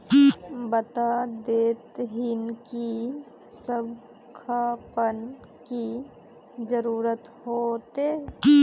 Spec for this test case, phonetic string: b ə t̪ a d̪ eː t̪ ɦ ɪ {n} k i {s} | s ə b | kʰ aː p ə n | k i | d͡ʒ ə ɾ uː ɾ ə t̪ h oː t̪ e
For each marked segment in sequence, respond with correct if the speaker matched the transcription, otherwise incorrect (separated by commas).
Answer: correct, incorrect